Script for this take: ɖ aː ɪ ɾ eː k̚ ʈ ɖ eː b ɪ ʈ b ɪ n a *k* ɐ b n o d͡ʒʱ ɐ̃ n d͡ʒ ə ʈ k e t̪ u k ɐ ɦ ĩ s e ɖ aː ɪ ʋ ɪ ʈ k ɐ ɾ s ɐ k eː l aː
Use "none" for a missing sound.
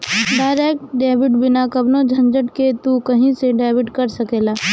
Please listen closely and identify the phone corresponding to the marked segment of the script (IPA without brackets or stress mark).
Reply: k